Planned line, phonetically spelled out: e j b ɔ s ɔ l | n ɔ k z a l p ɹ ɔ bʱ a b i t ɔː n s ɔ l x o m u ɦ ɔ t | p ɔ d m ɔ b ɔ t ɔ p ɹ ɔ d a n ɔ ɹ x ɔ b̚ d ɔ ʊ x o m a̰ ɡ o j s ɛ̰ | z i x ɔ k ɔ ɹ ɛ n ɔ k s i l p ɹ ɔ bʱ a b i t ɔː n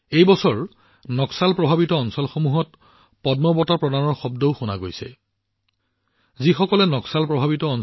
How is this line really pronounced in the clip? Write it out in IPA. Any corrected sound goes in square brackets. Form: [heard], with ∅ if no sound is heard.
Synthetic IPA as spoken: e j b ɔ s ɔ [ɹ] | n ɔ k [s] a l p ɹ ɔ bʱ a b i t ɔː n s ɔ l x o m u ɦ ɔ t | p ɔ d m ɔ b ɔ t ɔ p ɹ ɔ d a n ɔ ɹ x ɔ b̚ d ɔ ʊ x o [n] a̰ ɡ o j s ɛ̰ | z i x ɔ k ɔ [l] ɛ n ɔ k s [a] l p ɹ ɔ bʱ a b i t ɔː n